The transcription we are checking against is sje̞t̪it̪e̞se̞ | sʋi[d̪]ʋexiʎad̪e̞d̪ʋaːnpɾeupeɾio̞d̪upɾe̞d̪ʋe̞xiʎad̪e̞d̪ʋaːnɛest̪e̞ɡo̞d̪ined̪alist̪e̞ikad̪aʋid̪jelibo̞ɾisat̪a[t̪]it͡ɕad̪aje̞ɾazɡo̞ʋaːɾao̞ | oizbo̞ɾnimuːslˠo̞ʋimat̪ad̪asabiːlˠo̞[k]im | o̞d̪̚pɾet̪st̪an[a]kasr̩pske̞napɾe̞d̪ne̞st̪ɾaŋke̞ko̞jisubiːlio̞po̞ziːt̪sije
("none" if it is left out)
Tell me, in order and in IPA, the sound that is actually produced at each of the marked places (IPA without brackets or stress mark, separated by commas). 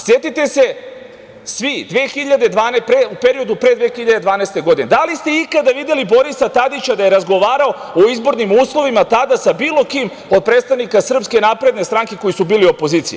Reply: d̪, d̪, k, i